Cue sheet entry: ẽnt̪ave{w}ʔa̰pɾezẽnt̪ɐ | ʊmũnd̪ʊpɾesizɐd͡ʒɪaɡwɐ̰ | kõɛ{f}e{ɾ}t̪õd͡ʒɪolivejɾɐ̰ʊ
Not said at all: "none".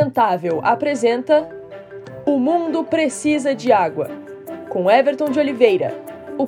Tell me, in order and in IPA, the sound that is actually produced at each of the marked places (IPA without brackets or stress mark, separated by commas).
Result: w, v, ɾ